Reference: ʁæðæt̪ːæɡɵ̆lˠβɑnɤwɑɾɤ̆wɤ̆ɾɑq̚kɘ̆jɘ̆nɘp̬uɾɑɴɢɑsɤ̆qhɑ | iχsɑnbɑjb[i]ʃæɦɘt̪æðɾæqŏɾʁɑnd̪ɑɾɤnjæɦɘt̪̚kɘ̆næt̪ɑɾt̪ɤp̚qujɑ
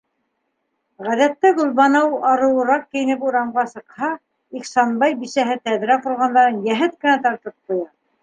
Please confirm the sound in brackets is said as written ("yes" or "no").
yes